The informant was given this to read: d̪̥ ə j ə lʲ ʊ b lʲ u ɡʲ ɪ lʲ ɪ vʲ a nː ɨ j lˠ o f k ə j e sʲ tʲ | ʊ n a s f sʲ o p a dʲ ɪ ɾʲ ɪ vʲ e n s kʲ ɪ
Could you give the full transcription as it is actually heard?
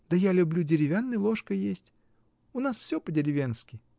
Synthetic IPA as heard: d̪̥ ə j a lʲ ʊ b lʲ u dʲ ɪ ɾʲ ɪ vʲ a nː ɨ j lˠ o ʂ k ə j e sʲ tʲ | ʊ n a s f sʲ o p ə dʲ ɪ ɾʲ ɪ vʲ e n s kʲ ɪ